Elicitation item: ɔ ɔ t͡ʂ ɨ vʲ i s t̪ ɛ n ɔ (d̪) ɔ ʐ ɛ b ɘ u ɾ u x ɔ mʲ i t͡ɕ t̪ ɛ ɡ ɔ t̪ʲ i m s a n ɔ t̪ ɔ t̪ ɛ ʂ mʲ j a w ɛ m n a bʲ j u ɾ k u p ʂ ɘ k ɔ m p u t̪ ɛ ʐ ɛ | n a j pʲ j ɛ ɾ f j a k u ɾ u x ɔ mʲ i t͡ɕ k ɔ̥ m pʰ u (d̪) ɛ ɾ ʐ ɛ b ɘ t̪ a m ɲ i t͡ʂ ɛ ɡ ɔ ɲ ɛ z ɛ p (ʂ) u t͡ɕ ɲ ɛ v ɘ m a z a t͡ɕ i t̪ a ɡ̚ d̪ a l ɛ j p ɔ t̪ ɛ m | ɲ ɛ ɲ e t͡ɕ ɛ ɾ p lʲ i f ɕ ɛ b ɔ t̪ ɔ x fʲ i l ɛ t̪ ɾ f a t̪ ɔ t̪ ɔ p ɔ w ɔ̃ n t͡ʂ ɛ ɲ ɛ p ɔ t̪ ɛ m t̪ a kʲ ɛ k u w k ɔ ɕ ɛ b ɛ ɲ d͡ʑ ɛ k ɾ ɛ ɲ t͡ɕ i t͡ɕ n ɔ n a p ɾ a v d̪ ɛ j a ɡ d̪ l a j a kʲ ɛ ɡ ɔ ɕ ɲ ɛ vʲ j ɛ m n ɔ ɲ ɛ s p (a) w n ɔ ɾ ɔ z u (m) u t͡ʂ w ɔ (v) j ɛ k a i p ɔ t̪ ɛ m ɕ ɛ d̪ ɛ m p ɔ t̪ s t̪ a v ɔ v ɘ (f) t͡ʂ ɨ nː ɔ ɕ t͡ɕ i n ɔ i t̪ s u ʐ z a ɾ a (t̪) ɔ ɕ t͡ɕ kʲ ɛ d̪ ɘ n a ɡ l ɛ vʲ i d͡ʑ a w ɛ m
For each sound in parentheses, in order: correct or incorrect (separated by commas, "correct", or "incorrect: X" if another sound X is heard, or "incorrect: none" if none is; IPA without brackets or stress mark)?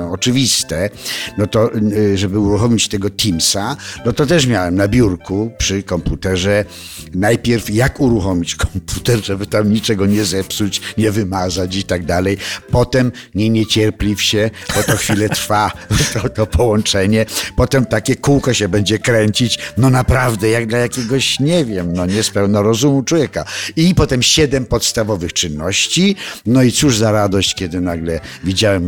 incorrect: t̪, incorrect: t̪, incorrect: s, incorrect: ɛ, correct, correct, incorrect: x, incorrect: d̪